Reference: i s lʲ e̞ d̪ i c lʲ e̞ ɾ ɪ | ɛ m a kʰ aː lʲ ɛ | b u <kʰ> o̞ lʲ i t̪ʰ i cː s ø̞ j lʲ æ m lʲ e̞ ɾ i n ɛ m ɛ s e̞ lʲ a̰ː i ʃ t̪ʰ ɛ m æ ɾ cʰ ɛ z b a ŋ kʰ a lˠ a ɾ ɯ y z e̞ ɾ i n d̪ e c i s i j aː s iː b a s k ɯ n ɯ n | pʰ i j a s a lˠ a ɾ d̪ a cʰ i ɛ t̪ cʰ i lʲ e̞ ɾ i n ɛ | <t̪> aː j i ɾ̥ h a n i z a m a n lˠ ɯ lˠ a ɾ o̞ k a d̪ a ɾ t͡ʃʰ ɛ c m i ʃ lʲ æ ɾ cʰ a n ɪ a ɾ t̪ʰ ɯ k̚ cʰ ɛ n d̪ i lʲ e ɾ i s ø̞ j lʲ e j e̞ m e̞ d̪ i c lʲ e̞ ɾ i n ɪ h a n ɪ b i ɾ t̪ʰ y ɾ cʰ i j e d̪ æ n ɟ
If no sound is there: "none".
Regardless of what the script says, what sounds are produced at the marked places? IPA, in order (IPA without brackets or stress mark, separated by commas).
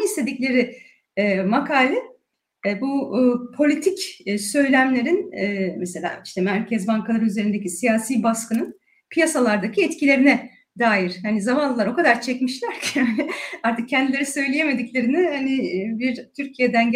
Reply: pʰ, d̪